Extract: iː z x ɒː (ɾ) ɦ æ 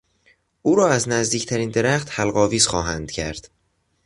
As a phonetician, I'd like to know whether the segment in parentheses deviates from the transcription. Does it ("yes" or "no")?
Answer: yes